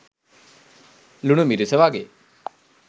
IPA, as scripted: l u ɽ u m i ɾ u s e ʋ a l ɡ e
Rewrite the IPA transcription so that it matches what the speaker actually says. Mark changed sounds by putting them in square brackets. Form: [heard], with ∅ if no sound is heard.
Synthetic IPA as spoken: l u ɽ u m i ɾ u s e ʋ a [∅] ɡ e